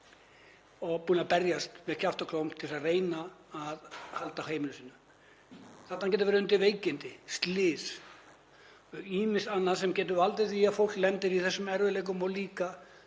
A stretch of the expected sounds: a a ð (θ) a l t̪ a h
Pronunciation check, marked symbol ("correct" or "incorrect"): incorrect